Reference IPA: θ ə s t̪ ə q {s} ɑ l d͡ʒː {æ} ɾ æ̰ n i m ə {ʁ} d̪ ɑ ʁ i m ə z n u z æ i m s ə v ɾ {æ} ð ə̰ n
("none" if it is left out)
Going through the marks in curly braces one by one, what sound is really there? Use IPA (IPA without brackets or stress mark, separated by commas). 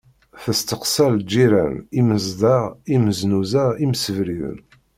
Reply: s, i, z, i